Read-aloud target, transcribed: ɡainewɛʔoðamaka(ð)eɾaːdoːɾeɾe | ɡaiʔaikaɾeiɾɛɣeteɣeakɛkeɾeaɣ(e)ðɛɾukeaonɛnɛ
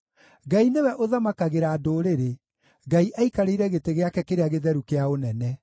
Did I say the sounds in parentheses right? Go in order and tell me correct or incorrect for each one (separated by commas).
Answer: incorrect, correct